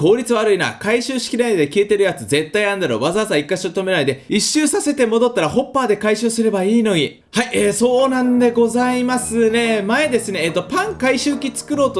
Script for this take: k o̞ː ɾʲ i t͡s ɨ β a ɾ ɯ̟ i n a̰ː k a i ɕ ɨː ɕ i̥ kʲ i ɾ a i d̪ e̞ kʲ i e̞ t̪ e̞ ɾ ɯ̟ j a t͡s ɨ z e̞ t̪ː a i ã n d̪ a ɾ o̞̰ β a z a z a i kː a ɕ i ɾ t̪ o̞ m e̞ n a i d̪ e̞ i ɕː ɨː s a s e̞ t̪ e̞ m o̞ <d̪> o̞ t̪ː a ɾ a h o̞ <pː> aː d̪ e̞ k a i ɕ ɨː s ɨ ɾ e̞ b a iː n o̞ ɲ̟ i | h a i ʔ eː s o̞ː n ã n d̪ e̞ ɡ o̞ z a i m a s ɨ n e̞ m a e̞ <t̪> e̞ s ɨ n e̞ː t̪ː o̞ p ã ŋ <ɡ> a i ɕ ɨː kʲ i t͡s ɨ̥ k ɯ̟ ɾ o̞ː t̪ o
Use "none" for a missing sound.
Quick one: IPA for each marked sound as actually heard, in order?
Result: d̪, pː, d̪, k

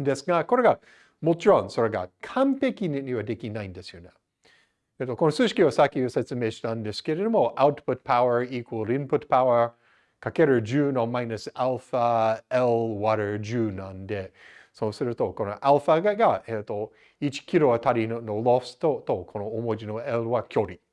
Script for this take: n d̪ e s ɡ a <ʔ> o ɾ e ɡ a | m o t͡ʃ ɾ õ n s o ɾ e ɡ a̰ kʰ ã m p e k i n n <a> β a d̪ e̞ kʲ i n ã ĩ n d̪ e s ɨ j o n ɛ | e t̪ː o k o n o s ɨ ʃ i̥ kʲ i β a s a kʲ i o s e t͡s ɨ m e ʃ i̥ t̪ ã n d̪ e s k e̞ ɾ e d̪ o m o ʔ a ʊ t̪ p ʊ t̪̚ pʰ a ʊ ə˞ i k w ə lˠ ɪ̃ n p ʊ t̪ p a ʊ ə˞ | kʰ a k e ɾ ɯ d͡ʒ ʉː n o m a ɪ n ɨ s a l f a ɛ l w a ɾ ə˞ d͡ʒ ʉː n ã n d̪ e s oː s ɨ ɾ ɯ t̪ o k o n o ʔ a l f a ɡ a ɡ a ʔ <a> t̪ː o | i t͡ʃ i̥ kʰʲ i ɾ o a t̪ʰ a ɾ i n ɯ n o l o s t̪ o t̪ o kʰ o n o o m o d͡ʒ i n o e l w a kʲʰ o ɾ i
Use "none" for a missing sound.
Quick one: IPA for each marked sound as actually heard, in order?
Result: k, i, e

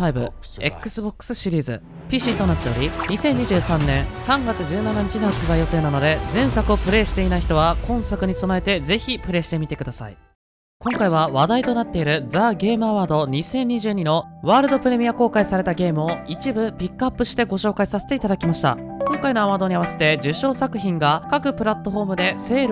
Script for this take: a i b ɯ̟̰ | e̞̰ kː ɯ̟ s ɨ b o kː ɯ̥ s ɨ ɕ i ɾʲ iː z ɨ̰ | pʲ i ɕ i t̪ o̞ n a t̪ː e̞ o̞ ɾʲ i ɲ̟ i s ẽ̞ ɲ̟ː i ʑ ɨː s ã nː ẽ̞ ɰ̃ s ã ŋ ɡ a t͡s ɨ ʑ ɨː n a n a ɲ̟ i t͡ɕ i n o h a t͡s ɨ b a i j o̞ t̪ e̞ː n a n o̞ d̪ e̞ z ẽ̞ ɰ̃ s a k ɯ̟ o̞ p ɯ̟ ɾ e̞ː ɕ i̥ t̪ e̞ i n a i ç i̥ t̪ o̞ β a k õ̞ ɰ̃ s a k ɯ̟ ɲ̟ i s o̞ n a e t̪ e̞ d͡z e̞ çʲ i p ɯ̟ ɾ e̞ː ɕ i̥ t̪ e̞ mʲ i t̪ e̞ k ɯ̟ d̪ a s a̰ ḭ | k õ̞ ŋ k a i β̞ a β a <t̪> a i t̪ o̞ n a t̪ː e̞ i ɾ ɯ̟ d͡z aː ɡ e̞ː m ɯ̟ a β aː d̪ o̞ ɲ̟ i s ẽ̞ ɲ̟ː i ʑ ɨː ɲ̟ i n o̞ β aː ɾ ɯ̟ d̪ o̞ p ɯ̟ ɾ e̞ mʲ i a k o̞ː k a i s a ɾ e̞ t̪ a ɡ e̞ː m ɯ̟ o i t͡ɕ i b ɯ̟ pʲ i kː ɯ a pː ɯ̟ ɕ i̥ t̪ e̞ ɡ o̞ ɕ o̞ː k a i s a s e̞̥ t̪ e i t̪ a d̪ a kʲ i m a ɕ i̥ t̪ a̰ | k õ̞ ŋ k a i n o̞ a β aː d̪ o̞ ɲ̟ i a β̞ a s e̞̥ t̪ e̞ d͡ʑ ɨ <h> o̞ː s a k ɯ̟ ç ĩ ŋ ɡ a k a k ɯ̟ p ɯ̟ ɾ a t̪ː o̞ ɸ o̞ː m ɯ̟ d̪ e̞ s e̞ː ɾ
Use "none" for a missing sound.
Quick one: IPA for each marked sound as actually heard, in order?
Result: d̪, ɕ

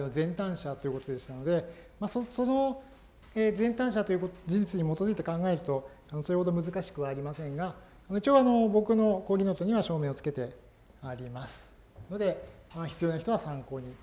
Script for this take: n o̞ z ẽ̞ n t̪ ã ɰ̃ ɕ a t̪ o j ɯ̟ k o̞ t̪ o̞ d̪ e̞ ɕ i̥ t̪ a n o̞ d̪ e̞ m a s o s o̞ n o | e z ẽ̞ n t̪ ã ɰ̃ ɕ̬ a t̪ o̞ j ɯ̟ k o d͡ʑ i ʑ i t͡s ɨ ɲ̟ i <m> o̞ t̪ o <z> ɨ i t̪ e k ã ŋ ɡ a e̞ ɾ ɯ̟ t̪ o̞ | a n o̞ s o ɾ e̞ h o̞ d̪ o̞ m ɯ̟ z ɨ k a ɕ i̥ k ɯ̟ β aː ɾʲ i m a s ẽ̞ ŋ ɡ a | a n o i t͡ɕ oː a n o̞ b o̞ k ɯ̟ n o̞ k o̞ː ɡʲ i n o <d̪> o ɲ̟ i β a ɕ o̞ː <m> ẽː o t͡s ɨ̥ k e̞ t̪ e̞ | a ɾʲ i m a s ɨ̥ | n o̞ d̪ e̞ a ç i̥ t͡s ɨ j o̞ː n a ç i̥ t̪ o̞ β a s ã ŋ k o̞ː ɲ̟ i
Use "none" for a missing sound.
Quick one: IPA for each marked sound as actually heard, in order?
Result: m, z, t̪, m

